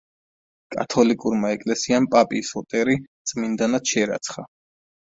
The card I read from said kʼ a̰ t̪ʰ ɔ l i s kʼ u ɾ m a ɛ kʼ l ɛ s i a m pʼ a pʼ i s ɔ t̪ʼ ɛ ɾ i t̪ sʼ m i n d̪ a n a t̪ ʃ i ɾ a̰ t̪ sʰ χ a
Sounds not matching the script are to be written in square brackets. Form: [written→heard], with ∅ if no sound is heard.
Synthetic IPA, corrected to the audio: kʼ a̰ t̪ʰ ɔ l i [s→∅] kʼ u ɾ m a ɛ kʼ l ɛ s i a m pʼ a pʼ i s ɔ t̪ʼ ɛ ɾ i t̪ sʼ m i n d̪ a n a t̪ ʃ [i→ɛ] ɾ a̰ t̪ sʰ χ a